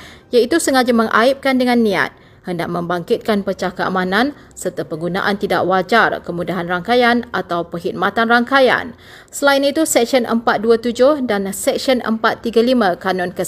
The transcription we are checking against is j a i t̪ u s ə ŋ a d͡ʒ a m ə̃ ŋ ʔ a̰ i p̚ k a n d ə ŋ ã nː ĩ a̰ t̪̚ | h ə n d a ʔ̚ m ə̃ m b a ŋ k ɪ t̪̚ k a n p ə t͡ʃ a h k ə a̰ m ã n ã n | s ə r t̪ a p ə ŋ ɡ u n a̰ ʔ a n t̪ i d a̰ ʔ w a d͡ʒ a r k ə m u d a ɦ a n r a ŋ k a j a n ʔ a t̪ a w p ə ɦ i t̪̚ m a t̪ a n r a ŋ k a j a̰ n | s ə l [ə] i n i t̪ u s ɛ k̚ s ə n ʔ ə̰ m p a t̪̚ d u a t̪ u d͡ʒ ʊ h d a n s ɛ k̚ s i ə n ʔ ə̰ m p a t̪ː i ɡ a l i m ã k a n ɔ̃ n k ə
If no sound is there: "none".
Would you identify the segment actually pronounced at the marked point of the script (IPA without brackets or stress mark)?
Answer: a